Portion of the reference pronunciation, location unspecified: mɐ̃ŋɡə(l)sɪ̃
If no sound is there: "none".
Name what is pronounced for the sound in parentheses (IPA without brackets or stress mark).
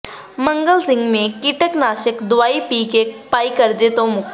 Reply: l